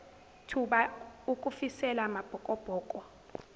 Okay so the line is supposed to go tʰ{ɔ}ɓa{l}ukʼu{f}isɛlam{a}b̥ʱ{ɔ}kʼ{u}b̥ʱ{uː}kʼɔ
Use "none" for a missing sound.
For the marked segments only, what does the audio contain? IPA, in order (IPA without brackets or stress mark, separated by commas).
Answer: u, none, f, a, ɔ, ɔ, ɔː